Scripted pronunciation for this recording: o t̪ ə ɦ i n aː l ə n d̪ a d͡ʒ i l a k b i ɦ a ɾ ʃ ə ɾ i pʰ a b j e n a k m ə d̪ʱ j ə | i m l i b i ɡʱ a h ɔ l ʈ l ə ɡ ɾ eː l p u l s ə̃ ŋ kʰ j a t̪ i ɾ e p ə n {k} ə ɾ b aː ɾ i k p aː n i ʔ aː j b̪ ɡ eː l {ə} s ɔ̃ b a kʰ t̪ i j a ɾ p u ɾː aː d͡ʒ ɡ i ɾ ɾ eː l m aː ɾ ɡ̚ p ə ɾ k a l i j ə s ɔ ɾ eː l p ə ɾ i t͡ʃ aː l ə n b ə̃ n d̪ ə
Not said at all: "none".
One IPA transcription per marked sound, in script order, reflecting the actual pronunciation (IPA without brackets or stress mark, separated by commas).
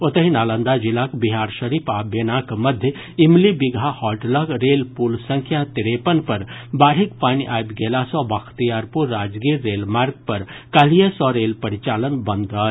p, a